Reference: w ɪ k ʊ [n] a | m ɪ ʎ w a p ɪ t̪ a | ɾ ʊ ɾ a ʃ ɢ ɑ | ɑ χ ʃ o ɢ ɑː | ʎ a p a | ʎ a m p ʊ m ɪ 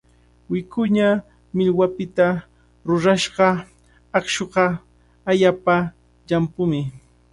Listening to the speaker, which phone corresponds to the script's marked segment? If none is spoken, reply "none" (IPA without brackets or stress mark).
ɲ